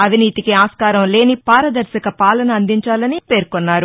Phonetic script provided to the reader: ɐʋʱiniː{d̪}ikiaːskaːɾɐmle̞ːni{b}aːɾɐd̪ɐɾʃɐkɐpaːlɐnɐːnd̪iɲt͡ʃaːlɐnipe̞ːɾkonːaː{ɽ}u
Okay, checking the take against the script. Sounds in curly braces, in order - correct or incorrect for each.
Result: incorrect: t̪, incorrect: p, incorrect: ɾ

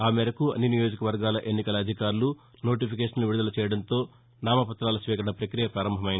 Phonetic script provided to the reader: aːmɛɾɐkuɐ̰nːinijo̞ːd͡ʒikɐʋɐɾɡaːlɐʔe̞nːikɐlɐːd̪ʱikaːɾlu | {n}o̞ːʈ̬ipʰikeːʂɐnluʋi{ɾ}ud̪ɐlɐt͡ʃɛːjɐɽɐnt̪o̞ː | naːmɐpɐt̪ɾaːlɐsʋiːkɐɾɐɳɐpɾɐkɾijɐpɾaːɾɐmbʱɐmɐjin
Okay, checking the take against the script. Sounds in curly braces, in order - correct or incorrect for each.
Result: correct, incorrect: ɽ

